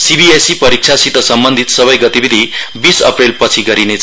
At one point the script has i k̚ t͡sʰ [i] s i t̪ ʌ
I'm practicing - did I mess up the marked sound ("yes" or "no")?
yes